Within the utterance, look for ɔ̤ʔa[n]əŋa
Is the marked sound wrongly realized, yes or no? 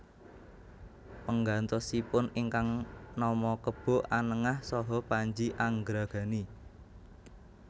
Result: no